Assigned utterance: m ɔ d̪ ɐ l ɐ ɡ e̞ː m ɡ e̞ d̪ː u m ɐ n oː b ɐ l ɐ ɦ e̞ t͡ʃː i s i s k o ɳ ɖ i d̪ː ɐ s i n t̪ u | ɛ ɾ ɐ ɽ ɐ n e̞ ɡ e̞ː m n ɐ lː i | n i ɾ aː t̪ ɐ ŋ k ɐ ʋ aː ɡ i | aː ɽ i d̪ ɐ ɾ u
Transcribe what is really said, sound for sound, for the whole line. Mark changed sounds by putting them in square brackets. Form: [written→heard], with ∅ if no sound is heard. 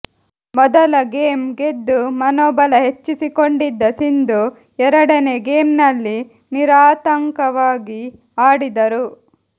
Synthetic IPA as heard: m ɔ d̪ ɐ l ɐ ɡ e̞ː m ɡ e̞ d̪ː u m ɐ n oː b ɐ l ɐ ɦ e̞ t͡ʃː i s i [s→∅] k o ɳ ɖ i d̪ː ɐ s i n [t̪→d̪] u | ɛ ɾ ɐ ɽ ɐ n e̞ ɡ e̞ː m n ɐ lː i | n i ɾ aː t̪ ɐ ŋ k ɐ ʋ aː ɡ i | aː ɽ i d̪ ɐ ɾ u